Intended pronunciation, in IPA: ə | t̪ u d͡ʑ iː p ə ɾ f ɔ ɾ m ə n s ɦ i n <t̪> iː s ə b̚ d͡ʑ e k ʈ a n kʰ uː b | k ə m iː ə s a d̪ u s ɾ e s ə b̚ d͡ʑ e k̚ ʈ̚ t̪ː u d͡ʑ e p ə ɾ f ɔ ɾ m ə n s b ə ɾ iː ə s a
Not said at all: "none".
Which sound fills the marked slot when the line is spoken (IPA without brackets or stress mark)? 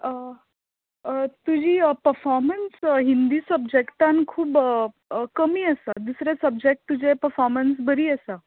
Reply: d̪